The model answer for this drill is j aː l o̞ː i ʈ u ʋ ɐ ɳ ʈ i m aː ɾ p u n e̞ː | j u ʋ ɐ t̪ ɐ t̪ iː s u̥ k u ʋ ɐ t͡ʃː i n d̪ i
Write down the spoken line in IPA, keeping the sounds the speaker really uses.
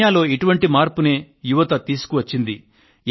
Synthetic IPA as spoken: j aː l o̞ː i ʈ u ʋ ɐ ɳ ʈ i m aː ɾ p u n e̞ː | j u ʋ ɐ t̪ ɐ t̪ iː s u̥ k u ʋ ɐ t͡ʃː i n d̪ i